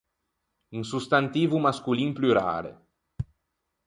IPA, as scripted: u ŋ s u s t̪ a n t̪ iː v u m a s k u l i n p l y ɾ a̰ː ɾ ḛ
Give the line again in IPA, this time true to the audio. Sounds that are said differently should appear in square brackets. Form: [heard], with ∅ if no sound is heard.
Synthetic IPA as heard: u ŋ s u s t̪ a n t̪ iː v u m a s k u l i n p l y ɾ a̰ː ɾ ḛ

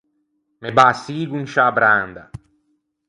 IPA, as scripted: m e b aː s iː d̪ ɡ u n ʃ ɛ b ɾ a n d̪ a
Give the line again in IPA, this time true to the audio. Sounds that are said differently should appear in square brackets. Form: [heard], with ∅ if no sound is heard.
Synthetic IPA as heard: m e b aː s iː [∅] ɡ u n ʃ [a] b ɾ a n d̪ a

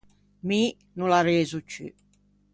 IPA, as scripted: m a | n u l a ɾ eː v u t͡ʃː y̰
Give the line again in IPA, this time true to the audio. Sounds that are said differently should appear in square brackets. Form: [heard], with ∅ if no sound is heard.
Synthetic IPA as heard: m [i] | n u l a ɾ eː [z] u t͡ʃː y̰

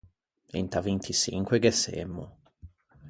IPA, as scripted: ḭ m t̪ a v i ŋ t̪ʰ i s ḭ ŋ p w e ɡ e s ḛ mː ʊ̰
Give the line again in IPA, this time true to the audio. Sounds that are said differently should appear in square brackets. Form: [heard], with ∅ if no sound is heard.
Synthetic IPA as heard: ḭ [n] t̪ a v i [n] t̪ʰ i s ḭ ŋ [k] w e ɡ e s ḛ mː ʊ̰

